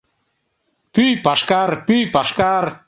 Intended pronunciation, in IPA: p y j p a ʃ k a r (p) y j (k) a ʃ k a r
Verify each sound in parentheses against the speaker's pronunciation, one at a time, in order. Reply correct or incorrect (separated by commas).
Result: correct, incorrect